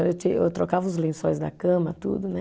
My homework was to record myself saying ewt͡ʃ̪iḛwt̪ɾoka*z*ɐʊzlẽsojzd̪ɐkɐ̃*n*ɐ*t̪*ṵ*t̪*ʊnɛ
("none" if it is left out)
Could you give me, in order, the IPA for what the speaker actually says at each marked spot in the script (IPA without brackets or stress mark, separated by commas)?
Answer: v, m, t̪, d̪